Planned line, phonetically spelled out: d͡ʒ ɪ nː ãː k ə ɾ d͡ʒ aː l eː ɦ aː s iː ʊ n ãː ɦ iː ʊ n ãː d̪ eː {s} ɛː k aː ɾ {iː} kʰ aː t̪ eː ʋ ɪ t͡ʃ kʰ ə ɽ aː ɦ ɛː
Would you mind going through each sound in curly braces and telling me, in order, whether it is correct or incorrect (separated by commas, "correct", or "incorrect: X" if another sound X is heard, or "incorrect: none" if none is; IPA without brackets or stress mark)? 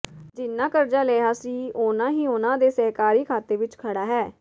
correct, correct